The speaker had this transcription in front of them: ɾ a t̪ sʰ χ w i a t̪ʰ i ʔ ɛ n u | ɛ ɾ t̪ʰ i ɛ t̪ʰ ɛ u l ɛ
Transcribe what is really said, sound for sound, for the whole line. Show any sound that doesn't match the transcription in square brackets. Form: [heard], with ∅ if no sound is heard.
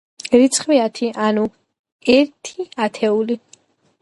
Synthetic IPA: ɾ [i] t̪ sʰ χ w i a t̪ʰ i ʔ [a] n u | ɛ ɾ t̪ʰ i [a] t̪ʰ ɛ u l [i]